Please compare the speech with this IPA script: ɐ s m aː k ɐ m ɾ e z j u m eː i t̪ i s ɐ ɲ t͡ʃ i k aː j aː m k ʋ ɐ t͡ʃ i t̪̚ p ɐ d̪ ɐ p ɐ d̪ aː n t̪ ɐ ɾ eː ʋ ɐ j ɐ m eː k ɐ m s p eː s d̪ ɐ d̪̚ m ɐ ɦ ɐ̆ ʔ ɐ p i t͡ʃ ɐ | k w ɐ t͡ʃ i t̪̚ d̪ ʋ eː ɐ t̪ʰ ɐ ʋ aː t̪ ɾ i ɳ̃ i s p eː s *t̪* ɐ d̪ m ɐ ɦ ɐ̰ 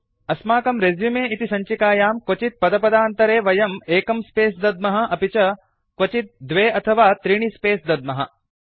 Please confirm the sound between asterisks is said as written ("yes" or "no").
no